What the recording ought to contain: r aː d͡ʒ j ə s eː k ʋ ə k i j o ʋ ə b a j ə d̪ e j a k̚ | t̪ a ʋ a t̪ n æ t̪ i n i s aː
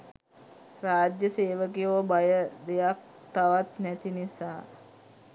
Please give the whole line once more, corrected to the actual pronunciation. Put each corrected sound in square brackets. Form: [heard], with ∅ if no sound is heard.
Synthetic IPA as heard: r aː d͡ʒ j ə s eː [∅] ʋ ə k i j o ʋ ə b a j ə d̪ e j a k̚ | t̪ a ʋ a t̪ n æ t̪ i n i s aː